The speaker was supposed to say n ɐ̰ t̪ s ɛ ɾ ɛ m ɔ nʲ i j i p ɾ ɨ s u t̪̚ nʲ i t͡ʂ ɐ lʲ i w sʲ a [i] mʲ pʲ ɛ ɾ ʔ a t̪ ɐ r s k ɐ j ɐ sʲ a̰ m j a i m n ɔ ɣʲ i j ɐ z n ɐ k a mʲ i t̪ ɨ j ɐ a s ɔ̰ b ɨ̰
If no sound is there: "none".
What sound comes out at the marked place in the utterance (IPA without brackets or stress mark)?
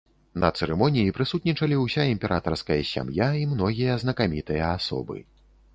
i